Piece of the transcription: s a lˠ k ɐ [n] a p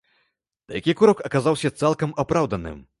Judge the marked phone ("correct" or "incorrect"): incorrect